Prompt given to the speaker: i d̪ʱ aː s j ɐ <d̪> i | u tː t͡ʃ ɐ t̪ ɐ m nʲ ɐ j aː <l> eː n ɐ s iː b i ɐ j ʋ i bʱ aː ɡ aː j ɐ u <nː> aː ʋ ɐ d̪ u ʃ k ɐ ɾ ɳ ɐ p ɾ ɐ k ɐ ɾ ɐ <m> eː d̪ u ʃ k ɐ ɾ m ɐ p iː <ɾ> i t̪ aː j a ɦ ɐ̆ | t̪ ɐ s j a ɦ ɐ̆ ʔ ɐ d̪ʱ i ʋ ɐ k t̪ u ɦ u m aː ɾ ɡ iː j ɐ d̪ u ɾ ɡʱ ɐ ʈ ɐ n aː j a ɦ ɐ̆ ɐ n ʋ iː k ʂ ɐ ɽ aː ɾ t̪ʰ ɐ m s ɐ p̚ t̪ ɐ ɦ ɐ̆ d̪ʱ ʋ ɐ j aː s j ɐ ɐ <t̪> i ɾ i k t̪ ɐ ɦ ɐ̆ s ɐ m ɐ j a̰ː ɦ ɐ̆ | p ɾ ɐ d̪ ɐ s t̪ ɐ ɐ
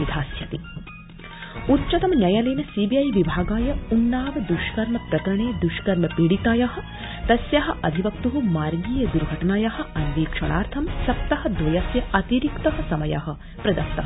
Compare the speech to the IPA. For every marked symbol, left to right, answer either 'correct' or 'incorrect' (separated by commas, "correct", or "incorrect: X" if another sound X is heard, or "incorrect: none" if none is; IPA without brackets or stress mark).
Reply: incorrect: t̪, correct, correct, incorrect: ɳ, incorrect: ɽ, correct